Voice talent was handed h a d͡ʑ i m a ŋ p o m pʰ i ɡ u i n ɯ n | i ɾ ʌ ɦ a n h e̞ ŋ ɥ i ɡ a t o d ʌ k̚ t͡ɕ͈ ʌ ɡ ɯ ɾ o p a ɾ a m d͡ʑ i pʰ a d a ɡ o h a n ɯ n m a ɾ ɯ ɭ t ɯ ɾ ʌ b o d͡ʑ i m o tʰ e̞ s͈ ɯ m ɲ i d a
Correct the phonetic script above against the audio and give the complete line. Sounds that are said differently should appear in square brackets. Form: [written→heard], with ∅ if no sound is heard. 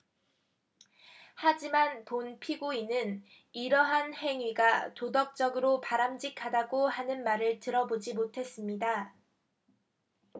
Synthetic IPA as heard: h a d͡ʑ i m a [ŋ→n] p o [m→n] pʰ i ɡ u i n ɯ n | i ɾ ʌ ɦ a n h e̞ ŋ ɥ i ɡ a t o d ʌ k̚ t͡ɕ͈ ʌ ɡ ɯ ɾ o p a ɾ a m d͡ʑ i [pʰ→kʰ] a d a ɡ o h a n ɯ n m a ɾ ɯ ɭ t ɯ ɾ ʌ b o d͡ʑ i m o tʰ e̞ s͈ ɯ m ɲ i d a